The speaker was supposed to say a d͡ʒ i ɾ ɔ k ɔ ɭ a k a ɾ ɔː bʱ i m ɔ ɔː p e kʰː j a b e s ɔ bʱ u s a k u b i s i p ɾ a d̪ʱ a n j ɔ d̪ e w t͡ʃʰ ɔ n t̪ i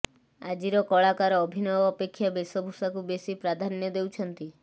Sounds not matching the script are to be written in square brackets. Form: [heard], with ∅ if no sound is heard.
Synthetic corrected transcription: a d͡ʒ i ɾ ɔ k ɔ ɭ a k a ɾ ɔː bʱ i [n] ɔ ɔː p e kʰː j a b e s ɔ bʱ u s a k u b [e] s i p ɾ a d̪ʱ a n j ɔ d̪ e w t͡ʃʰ ɔ n t̪ i